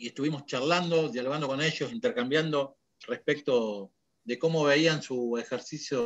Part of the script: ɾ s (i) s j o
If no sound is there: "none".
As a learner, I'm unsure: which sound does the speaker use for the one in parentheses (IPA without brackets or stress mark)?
i